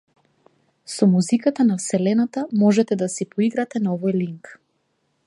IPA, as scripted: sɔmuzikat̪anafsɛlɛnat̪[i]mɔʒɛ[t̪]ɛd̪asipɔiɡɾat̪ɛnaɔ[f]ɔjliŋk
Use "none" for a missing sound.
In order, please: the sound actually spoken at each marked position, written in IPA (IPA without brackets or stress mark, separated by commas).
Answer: a, t̪, v